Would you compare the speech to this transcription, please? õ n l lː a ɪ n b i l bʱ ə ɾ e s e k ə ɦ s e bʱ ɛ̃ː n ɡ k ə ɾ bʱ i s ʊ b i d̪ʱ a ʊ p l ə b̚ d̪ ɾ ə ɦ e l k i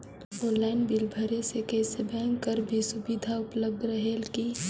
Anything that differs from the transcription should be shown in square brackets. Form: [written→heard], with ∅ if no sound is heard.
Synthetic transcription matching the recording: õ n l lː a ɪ n b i l bʱ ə ɾ e s e k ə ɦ s e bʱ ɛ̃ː [n→ŋ] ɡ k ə ɾ bʱ i s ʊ b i d̪ʱ a ʊ p l ə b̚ d̪ ɾ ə ɦ e l k i